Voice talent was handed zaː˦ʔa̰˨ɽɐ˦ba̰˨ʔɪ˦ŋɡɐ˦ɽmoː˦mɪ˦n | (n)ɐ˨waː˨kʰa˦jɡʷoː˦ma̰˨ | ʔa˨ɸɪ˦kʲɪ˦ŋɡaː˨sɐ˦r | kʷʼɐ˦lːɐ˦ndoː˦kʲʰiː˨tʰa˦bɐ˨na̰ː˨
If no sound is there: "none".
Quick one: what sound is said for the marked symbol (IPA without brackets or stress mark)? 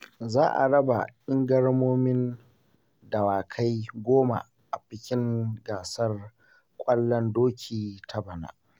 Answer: d